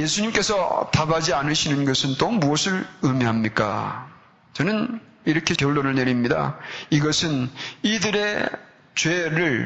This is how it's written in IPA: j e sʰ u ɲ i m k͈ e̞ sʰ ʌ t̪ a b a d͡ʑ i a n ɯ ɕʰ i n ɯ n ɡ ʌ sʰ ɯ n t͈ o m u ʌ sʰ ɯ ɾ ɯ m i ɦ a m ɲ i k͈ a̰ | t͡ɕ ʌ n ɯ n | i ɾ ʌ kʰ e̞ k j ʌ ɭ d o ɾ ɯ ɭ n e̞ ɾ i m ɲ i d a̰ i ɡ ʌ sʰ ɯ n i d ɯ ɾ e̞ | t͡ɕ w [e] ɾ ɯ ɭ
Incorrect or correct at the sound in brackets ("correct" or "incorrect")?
correct